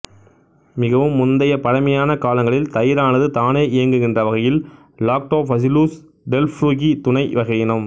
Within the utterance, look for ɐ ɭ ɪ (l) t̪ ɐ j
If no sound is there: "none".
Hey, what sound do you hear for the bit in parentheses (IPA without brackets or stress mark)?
l